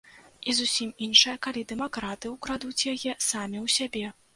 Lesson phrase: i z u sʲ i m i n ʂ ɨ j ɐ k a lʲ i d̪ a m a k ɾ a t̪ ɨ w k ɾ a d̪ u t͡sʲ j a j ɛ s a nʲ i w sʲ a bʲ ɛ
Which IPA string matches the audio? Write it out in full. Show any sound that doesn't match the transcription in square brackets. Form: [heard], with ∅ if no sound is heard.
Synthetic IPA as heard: i z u sʲ i m i n ʂ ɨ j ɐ k a lʲ i d̪ [ɛ] m a k ɾ a t̪ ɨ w k ɾ a d̪ u t͡sʲ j a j ɛ s a [mʲ] i w sʲ a bʲ ɛ